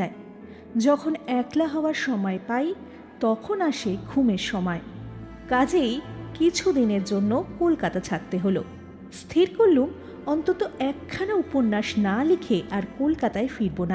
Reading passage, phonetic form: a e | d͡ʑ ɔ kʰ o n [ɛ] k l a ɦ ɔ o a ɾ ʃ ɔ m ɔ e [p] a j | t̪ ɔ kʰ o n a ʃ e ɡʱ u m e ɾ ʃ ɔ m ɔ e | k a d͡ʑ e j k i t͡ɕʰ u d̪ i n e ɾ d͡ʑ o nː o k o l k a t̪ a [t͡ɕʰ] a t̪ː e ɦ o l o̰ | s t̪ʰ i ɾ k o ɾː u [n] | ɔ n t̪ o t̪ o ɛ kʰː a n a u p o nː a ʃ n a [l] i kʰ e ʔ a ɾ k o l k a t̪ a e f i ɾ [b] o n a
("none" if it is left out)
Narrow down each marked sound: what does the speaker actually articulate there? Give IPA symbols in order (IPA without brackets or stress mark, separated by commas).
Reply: ɛ, p, t͡ɕʰ, m, l, b